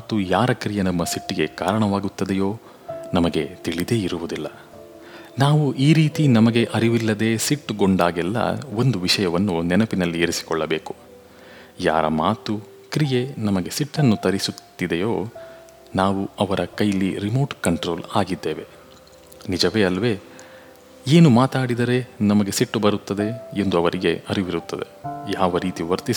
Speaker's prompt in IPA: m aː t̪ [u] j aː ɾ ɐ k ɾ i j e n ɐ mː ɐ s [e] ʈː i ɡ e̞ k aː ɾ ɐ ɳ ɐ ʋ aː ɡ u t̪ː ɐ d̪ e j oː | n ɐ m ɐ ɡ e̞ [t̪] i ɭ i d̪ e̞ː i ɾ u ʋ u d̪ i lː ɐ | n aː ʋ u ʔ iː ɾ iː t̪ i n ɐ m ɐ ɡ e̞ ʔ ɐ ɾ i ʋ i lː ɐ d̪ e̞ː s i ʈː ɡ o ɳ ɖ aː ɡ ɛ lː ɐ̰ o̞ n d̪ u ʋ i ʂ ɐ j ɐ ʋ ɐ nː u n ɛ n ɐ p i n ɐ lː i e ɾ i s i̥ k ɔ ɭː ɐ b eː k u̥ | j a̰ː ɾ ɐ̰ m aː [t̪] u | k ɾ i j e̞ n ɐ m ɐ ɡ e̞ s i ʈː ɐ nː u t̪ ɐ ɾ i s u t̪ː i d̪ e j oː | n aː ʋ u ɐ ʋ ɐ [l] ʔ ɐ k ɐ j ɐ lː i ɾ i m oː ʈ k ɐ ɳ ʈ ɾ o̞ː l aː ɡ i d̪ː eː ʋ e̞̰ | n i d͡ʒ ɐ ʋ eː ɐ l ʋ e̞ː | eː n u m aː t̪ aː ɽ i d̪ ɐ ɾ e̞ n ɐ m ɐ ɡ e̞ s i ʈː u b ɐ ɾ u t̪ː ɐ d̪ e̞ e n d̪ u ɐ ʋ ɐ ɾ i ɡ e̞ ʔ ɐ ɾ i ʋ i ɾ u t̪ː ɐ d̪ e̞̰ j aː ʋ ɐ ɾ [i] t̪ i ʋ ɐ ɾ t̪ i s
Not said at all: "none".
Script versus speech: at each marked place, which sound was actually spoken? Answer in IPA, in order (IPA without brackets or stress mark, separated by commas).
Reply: u, i, t̪, t̪, ɾ, iː